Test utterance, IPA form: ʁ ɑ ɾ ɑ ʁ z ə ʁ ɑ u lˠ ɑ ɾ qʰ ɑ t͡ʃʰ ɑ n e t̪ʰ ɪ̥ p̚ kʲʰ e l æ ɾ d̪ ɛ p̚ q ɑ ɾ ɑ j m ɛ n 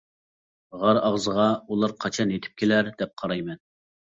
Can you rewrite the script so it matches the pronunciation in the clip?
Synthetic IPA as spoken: ʁ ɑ ɾ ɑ ʁ z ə ʁ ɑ u lˠ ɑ ɾ qʰ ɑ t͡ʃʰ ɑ n e t̪ʰ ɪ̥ p̚ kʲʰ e l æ ɾ d̪ ɛ p̚ qʰ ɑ ɾ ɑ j m ɛ n